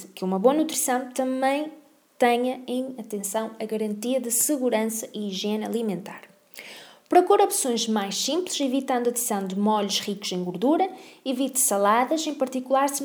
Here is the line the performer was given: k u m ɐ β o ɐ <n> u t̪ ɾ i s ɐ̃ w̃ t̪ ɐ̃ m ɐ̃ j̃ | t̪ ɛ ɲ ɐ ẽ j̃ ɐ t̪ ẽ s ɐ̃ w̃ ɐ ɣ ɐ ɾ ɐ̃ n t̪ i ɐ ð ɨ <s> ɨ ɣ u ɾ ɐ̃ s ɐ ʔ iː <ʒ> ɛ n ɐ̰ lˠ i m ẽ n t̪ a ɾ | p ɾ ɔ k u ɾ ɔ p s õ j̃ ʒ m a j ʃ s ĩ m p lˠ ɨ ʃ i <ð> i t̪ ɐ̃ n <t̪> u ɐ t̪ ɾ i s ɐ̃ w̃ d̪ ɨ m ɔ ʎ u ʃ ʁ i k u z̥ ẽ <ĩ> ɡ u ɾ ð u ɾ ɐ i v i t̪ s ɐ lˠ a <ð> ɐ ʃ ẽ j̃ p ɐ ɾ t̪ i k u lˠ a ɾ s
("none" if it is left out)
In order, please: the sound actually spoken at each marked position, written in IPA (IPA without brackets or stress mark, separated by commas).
n, s, ʒ, v, d̪, j̃, ð